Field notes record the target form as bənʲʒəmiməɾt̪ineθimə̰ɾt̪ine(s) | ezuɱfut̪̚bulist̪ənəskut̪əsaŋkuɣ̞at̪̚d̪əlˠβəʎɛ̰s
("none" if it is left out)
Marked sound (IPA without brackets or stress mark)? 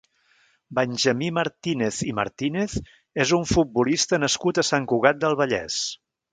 θ